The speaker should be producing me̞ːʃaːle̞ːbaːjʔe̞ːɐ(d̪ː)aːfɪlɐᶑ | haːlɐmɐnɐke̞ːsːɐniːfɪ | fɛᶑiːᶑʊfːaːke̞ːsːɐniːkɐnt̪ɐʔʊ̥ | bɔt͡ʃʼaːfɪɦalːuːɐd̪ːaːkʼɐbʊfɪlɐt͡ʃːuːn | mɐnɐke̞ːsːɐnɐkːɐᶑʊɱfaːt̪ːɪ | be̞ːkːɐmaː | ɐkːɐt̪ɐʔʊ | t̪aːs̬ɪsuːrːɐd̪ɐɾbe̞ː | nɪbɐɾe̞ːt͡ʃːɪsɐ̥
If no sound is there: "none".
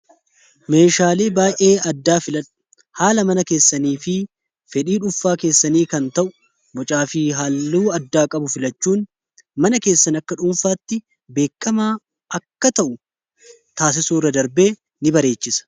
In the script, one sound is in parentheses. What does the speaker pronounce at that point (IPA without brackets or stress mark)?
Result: d̪ː